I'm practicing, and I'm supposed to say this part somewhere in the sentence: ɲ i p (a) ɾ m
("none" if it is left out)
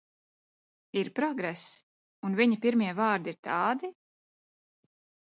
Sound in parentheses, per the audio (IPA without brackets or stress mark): i